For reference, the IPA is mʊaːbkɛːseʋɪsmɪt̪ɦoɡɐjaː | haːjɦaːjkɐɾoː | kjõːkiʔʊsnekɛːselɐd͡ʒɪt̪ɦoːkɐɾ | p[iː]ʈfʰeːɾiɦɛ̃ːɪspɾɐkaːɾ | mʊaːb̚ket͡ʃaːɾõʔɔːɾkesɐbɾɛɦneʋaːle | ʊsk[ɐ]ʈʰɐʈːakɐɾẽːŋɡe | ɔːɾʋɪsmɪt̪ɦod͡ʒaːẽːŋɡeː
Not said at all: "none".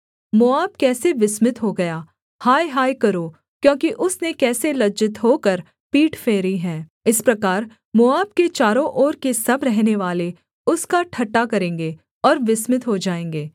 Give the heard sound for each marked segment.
iː, a

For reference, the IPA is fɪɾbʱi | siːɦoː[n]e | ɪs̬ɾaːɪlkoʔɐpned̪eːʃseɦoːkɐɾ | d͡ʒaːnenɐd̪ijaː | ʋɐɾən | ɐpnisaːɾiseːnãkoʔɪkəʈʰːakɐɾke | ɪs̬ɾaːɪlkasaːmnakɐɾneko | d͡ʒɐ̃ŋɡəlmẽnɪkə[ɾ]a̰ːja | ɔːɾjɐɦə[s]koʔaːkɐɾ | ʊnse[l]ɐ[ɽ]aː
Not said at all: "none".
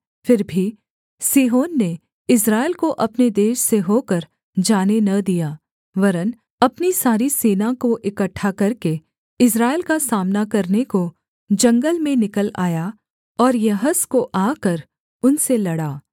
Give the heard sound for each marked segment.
nː, l, s, l, ɽ

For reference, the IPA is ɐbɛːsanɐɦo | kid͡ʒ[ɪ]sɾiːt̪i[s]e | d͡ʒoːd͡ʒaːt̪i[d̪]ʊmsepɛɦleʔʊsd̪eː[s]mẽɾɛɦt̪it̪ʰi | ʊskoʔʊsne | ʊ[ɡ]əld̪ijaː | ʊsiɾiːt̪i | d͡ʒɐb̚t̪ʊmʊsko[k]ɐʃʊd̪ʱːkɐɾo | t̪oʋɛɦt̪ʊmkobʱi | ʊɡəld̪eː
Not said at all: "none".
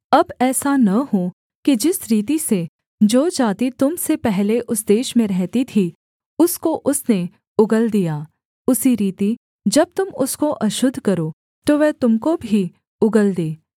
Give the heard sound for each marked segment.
ɪ, s, t̪, ʃ, ɡ, ʔ

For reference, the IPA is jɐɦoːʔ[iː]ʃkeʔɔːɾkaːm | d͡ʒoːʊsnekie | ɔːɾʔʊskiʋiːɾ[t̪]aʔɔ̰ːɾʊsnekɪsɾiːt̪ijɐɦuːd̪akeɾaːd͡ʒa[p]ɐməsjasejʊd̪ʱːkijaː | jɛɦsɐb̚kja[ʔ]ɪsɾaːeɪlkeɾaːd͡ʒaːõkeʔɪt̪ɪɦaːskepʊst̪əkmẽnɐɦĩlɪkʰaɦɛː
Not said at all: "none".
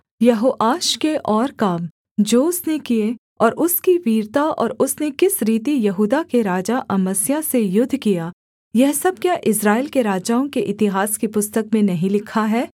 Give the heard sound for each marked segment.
aː, t̪, ʔ, ʔ

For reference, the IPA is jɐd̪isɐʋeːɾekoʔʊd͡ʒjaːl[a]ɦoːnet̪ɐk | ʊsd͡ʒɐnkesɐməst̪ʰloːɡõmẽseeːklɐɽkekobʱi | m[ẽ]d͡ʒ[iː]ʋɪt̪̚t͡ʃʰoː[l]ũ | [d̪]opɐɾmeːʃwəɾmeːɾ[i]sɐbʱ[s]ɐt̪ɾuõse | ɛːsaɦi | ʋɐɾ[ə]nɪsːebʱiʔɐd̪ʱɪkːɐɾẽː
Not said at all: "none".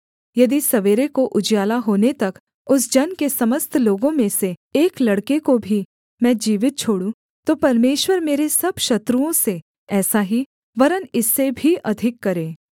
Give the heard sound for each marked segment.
a, ɛ̃, iː, ɽ, t̪, e, ʃ, ə

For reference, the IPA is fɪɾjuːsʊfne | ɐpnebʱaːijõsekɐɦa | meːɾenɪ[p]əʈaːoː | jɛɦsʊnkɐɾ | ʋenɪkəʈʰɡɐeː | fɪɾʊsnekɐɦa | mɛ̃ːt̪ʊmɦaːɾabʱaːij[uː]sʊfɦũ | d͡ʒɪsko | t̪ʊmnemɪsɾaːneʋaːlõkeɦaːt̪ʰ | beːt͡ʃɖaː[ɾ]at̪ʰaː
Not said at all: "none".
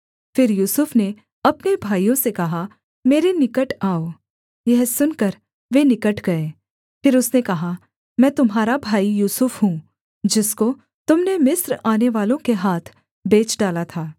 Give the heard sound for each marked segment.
k, uː, l

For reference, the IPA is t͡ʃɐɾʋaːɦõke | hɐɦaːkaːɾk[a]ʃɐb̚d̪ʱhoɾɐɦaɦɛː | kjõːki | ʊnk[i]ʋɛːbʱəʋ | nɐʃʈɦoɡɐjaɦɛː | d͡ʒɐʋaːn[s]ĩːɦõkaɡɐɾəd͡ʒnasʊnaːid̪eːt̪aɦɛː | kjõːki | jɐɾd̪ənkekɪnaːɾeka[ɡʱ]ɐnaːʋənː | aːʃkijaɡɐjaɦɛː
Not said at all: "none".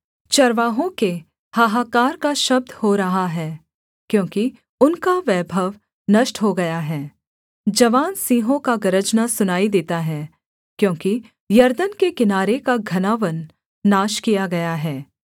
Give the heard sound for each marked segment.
a, a, s, ɡʱ

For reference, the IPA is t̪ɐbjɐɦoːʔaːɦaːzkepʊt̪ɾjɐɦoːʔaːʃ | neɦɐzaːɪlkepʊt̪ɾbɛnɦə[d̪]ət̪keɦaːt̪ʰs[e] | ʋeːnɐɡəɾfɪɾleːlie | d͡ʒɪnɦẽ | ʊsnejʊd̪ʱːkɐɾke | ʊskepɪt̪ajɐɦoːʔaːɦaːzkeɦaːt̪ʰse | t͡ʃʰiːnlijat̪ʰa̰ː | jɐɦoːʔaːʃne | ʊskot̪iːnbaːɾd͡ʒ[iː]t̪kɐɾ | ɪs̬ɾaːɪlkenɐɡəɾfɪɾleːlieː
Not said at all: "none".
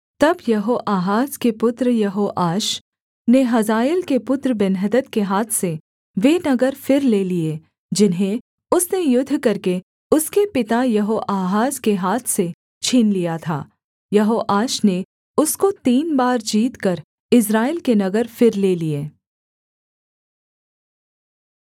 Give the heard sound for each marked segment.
d̪, e, iː

